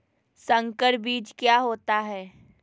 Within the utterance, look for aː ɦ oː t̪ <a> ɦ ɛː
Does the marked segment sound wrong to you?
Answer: no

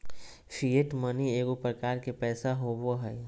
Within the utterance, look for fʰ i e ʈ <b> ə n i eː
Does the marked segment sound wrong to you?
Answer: yes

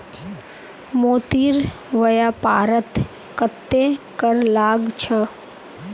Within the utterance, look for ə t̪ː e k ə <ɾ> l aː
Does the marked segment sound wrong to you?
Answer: no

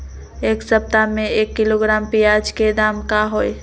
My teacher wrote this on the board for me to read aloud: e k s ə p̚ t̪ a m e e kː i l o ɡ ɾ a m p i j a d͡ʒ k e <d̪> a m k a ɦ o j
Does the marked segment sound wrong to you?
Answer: no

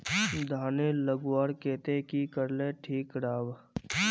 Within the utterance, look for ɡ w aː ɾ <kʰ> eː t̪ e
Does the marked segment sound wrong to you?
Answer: yes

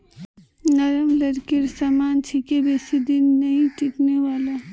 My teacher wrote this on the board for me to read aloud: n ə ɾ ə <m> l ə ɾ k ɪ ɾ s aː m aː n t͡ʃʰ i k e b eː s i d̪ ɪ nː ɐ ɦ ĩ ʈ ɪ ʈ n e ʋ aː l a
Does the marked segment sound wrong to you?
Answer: no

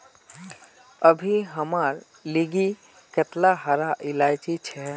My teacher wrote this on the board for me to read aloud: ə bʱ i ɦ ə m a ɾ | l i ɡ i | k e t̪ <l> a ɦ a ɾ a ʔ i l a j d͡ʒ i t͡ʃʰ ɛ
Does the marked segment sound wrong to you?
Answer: no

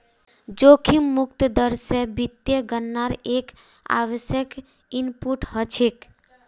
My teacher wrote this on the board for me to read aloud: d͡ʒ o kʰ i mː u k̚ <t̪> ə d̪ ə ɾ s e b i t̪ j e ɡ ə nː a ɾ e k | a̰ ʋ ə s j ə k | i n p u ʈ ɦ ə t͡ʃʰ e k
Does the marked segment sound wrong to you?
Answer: no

